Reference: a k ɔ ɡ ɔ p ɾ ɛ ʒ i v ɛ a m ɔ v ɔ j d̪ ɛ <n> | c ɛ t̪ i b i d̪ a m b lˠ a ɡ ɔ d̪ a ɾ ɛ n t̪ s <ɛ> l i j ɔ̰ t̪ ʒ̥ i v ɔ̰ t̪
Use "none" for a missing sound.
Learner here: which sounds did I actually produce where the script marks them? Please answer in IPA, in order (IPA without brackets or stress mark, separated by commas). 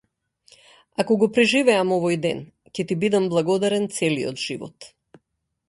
n, ɛ